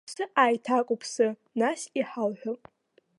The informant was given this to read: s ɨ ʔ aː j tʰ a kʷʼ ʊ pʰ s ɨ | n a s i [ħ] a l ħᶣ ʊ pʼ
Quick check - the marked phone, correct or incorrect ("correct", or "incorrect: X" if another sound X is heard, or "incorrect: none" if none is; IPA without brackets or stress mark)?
correct